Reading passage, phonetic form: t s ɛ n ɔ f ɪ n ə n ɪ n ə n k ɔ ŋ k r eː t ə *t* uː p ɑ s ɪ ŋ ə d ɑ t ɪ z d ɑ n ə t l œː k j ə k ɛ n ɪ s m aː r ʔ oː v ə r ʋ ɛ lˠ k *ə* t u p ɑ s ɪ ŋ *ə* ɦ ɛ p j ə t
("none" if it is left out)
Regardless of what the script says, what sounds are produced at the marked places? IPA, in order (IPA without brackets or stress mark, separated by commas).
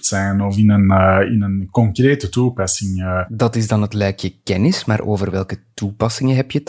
t, ə, ə